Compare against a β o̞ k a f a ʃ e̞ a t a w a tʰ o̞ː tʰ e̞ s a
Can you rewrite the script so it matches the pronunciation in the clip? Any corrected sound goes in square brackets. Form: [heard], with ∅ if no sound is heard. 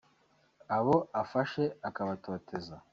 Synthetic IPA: a β o̞ [∅] a f a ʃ e̞ a [k] a [β] a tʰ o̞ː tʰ e̞ [z] a

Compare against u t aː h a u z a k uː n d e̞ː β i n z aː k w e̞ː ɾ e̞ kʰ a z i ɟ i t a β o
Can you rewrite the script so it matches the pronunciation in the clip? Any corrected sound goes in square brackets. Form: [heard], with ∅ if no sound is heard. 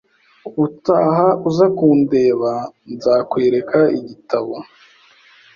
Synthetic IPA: u t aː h a u z a k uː n d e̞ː β [a] n z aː k w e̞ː ɾ e̞ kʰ a [∅] i ɟ i t a β o

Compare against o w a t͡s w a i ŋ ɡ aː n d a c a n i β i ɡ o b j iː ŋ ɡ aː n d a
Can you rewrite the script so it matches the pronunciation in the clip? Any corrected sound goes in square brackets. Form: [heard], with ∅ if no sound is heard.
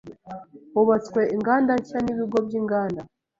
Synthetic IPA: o [β] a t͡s w [e] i ŋ ɡ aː n d a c a n i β i ɡ o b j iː ŋ ɡ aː n d a

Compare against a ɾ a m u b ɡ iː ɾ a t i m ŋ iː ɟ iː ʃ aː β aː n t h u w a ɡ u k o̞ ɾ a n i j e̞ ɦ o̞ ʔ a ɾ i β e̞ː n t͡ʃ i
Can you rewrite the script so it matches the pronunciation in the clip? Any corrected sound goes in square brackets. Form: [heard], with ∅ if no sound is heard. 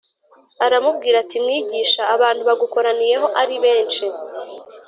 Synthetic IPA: a ɾ a m u b ɡ iː ɾ a t i m ŋ iː ɟ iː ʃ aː β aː n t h u [β] a ɡ u k o̞ ɾ a n i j e̞ ɦ o̞ ʔ a ɾ i β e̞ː n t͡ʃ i

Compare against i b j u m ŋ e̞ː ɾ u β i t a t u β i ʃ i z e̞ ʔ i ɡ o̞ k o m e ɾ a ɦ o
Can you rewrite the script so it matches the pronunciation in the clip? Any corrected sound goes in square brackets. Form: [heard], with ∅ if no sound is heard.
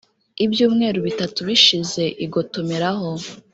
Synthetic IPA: i b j [uː] m ŋ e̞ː ɾ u β i t a t u β i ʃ i z e̞ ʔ i ɡ o̞ [t] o m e ɾ a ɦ o

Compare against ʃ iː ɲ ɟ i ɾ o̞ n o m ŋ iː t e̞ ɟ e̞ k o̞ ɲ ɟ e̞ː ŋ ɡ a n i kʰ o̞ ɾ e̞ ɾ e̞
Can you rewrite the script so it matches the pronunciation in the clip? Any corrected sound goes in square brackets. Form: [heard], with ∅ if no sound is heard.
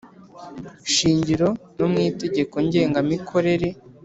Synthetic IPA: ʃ iː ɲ ɟ i ɾ o̞ n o m ŋ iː t e̞ ɟ e̞ k o̞ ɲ ɟ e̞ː ŋ ɡ a [m] i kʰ o̞ ɾ e̞ ɾ e̞

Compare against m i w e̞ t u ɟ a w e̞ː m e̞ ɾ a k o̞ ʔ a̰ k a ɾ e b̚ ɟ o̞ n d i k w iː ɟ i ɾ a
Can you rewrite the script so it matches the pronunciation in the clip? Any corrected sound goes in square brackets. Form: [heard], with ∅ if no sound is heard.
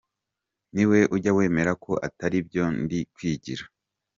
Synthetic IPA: [n] i w e̞ [ʔ] u ɟ a w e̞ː m e̞ ɾ a k o̞ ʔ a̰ [t] a ɾ [i] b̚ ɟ o̞ n d i k w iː ɟ i ɾ a

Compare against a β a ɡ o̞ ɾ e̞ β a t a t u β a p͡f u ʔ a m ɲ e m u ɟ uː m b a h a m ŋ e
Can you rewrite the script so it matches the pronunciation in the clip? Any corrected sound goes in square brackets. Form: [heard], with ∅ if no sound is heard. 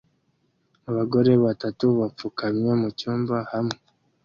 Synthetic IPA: a β a ɡ o̞ ɾ e̞ β a t a t u β a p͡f u [k] a m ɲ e m u [c] uː m b a h a m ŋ e

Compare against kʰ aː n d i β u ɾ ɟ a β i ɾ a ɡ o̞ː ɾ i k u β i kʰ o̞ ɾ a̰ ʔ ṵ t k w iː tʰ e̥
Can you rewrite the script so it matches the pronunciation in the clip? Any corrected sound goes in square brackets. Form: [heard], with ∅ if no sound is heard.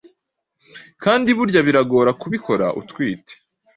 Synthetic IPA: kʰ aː n d i β u ɾ ɟ a β i ɾ a ɡ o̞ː ɾ [a] k u β i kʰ o̞ ɾ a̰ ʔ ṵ t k w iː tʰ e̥

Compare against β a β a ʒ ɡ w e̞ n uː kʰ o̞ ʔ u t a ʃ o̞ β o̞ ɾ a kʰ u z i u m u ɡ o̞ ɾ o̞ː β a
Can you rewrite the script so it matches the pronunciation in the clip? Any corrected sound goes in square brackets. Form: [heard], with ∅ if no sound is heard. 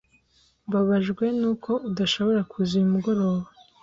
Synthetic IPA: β a β a ʒ ɡ w e̞ n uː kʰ o̞ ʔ u [d] a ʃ o̞ β o̞ ɾ a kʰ u z i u m u ɡ o̞ ɾ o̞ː β a

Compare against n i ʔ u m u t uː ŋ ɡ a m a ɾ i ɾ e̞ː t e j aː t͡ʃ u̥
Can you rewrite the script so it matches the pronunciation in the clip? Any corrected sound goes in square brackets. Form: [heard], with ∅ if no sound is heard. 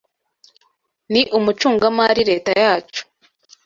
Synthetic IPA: n i ʔ u m u [t͡ʃ] uː ŋ ɡ a m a ɾ i ɾ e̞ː t [a] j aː t͡ʃ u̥

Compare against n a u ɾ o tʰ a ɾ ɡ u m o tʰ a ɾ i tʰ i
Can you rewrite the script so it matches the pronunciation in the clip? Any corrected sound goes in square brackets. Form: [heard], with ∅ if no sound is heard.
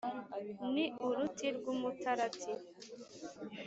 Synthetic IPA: n [i] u ɾ [u] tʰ [i] ɾ ɡ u m [u] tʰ a ɾ [a] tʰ i

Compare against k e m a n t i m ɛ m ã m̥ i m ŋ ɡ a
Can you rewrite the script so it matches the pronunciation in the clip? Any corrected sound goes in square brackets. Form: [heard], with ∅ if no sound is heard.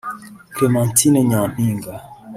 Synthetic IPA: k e m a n t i [n] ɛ [ɲ] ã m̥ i [∅] ŋ ɡ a

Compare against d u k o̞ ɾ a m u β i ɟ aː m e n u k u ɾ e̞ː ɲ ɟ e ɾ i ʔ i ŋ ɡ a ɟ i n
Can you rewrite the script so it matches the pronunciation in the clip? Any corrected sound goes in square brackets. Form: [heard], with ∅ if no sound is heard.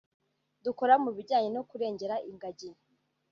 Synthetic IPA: d u k o̞ ɾ a m u β i ɟ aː [ɲ] e n [o] k u ɾ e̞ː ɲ ɟ e ɾ [a] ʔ i ŋ ɡ a ɟ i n

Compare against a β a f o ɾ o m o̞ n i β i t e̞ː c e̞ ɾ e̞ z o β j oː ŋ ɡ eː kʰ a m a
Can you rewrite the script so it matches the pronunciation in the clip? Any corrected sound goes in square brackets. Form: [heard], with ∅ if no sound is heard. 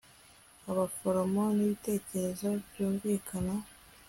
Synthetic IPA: a β a f o ɾ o m o̞ n i β i t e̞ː c e̞ ɾ e̞ z o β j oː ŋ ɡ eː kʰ a [n] a

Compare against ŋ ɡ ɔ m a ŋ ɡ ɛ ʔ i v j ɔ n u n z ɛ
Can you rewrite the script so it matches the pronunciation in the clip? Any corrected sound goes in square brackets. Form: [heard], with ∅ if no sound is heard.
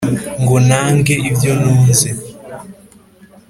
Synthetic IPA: ŋ ɡ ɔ [n] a ŋ ɡ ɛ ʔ i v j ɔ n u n z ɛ

